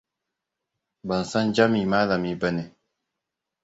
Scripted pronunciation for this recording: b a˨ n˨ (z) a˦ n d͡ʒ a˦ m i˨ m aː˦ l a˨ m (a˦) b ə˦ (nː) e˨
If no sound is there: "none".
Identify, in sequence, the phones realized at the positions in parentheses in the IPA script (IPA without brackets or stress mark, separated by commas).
s, i˦, n